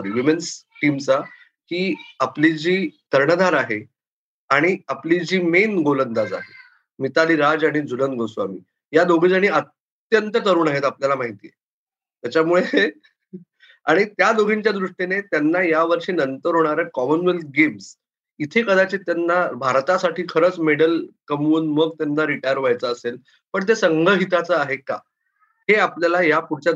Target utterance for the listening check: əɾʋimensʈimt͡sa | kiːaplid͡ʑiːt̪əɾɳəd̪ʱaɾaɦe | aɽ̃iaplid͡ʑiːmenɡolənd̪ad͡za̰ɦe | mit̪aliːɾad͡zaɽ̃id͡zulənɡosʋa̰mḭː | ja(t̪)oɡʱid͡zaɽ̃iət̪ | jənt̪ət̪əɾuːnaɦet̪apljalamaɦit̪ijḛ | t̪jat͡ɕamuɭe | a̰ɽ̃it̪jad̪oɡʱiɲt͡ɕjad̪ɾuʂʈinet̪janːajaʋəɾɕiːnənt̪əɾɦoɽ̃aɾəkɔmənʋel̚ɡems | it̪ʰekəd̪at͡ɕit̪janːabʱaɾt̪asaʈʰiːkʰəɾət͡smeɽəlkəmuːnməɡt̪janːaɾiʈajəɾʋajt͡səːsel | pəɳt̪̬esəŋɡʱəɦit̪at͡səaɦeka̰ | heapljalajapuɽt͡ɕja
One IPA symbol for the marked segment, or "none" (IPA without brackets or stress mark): d̪